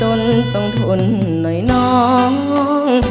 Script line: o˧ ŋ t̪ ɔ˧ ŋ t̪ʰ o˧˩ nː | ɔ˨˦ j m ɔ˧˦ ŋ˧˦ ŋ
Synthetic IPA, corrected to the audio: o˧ n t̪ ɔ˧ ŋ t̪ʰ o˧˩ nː | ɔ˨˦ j n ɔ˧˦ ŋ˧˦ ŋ